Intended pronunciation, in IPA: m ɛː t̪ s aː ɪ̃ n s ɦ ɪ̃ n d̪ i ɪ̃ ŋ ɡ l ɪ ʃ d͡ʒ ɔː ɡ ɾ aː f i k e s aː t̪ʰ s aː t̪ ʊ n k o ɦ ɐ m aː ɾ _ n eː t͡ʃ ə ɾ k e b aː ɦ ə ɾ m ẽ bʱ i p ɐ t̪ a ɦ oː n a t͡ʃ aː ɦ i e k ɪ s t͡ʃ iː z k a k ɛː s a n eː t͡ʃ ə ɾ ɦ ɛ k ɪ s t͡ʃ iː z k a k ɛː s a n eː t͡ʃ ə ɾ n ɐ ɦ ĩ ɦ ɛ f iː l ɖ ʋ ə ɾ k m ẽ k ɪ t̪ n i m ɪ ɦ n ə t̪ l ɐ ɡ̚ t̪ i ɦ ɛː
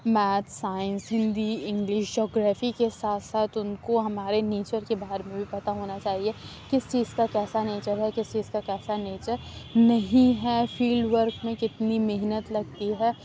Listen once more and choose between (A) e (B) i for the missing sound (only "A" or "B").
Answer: A